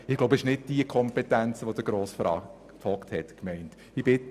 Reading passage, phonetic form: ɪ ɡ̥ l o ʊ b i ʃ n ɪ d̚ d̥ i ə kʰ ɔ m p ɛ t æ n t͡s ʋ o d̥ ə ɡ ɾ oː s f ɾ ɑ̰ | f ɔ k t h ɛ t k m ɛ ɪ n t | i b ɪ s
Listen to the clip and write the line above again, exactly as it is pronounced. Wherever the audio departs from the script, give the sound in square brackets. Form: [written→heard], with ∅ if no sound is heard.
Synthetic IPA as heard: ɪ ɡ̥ l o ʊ b [i→ɪ] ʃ n ɪ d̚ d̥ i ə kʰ ɔ m p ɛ t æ n t͡s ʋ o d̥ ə ɡ ɾ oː s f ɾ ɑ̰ | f ɔ k t h ɛ t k m ɛ ɪ n t | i b ɪ [s→t]

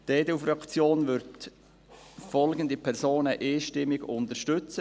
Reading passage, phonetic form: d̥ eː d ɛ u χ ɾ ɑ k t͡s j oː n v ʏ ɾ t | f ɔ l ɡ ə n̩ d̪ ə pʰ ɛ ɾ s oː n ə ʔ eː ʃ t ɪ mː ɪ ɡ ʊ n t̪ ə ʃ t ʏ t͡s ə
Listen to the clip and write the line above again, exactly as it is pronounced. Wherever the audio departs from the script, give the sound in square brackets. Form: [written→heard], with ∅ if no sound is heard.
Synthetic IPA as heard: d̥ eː d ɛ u [χ→f] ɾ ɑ k t͡s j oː n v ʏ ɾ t | f ɔ l ɡ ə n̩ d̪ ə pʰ ɛ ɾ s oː n ə ʔ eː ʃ t ɪ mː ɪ ɡ ʊ n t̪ ə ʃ t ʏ t͡s ə

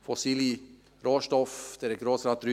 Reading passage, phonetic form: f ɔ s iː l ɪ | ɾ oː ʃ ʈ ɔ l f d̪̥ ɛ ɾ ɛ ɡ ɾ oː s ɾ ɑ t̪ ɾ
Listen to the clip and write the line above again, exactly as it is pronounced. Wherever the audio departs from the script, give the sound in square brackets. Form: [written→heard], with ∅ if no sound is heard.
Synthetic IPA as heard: f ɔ s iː l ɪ | ɾ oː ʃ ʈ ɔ [l→∅] f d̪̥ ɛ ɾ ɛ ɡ ɾ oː s ɾ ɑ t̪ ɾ

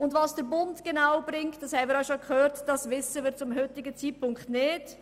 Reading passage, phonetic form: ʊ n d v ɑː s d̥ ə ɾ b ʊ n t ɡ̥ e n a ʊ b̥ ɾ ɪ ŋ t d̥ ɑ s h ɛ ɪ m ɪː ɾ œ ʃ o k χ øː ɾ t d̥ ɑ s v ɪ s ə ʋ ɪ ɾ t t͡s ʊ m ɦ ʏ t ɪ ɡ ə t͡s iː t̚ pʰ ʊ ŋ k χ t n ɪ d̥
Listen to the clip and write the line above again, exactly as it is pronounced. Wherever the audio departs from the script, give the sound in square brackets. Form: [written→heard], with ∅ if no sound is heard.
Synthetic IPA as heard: ʊ n d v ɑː s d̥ ə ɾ b ʊ n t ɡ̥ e n a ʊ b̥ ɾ ɪ ŋ t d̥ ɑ s h ɛ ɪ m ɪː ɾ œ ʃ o k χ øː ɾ t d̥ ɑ s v ɪ s ə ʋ ɪ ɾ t t͡s ʊ m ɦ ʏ t ɪ ɡ ə t͡s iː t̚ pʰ ʊ ŋ k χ t n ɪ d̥

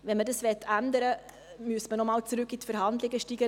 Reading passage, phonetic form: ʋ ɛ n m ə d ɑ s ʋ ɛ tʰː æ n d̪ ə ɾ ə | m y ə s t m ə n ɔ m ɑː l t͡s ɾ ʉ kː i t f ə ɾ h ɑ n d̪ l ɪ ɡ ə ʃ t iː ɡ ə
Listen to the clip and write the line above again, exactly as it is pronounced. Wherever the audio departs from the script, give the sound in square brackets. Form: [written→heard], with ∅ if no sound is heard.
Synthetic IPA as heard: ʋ ɛ n m ə d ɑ s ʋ ɛ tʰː æ n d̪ ə ɾ ə | m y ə s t m ə n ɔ m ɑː l t͡s ɾ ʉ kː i t f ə ɾ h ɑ n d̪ l ɪ ɡ ə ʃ t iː ɡ ə

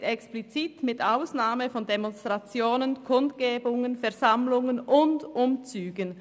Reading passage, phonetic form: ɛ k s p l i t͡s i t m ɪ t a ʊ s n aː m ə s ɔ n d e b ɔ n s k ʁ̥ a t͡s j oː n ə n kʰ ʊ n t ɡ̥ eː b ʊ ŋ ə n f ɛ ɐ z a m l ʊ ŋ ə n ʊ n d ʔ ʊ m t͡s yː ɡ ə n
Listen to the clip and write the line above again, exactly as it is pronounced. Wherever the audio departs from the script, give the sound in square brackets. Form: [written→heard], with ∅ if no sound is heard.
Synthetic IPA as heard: ɛ k s p l i t͡s i t m ɪ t a ʊ s n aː m ə [s→f] ɔ n d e [b→m] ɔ n s [k→t] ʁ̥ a t͡s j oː n ə n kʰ ʊ n t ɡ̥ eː b ʊ ŋ ə n f ɛ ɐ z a m l ʊ ŋ ə n ʊ n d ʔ ʊ m t͡s yː ɡ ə n

